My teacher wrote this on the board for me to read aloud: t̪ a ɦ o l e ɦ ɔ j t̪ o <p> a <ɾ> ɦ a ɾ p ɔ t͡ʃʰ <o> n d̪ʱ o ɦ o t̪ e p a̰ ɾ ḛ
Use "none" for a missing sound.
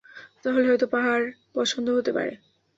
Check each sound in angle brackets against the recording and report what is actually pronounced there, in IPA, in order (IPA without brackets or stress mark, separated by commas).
p, none, o